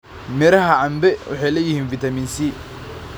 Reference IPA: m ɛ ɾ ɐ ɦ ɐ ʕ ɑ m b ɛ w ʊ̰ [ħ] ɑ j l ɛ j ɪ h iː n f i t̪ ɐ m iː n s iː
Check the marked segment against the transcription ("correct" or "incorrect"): correct